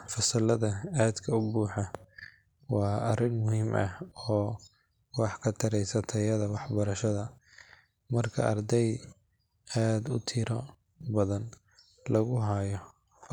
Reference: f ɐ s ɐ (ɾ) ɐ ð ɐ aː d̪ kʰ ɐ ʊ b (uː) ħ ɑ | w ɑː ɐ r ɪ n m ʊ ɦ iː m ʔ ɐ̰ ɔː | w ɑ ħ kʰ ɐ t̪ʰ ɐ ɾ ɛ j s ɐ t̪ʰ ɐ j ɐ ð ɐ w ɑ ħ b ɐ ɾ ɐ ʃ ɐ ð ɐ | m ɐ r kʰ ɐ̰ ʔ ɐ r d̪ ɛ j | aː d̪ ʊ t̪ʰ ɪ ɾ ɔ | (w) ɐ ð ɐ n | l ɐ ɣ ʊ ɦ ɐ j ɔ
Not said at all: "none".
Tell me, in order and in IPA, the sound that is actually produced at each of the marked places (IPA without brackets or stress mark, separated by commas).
l, uː, b